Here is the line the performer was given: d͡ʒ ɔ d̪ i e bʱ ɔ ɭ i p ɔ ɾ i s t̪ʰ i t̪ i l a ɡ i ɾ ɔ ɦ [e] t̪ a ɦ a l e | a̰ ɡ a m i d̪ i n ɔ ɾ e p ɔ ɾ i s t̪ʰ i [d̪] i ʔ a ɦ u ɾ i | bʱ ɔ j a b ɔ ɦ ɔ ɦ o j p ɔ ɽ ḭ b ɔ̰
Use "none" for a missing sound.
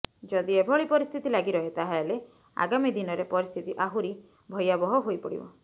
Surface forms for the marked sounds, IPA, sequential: e, t̪

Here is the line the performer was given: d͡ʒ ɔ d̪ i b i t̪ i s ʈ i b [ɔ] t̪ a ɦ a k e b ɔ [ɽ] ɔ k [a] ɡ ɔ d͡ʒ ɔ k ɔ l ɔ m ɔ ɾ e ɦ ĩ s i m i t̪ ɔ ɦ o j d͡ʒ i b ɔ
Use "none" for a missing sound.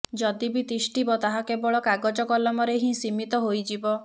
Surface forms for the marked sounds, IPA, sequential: ɔ, ɭ, a

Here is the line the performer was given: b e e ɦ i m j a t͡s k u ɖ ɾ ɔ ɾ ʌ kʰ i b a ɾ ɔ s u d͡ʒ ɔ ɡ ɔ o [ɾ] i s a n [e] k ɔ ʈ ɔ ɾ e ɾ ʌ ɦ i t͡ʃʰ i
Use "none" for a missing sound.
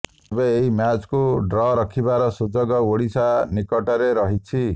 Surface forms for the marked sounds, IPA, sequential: ɽ, i

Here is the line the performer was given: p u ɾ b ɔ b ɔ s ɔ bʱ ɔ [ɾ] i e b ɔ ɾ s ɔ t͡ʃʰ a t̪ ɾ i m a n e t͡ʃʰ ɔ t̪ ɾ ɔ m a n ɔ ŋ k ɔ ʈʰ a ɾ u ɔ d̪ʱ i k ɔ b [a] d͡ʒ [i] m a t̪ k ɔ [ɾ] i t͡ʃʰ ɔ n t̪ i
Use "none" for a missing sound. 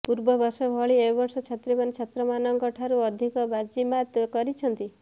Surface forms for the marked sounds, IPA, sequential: ɭ, a, i, ɾ

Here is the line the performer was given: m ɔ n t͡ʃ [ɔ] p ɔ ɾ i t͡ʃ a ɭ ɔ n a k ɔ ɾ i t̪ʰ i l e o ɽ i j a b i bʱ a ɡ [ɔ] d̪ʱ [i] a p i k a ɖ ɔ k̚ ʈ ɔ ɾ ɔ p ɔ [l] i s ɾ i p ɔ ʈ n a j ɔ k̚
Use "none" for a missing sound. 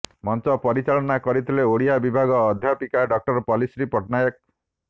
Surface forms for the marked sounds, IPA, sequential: ɔ, ɔː, j, l

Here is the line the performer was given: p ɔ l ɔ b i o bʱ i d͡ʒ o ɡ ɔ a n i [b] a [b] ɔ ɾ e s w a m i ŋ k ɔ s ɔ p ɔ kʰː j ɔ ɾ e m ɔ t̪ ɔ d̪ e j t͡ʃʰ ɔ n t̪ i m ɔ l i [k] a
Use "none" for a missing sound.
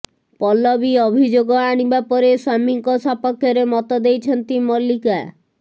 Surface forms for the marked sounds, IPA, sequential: b, p, k

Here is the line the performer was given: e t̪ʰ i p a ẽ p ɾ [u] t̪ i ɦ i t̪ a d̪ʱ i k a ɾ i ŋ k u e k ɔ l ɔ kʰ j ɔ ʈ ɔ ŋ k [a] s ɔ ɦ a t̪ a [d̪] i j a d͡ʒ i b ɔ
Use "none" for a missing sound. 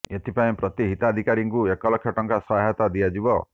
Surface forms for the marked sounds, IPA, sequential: ɔ, a, d̪

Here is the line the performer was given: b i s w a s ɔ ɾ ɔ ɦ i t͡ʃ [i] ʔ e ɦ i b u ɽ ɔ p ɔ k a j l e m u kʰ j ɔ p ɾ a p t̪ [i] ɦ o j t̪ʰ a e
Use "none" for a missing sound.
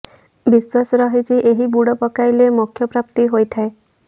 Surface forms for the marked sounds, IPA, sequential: i, i

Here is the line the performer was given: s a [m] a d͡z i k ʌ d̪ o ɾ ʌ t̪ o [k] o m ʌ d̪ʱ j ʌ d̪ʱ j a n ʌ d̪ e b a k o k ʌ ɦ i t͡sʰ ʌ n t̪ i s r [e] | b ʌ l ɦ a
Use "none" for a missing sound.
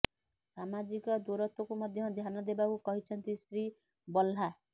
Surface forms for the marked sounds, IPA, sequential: m, k, i

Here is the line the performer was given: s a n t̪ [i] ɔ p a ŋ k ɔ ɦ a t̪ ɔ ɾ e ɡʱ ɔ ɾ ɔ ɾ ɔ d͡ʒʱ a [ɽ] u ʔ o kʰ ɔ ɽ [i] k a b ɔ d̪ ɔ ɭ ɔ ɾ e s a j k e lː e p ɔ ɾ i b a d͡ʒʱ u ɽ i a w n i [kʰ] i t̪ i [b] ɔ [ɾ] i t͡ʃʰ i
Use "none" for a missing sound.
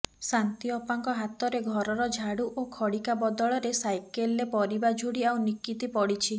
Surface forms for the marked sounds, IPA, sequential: i, ɽ, i, k, p, ɽ

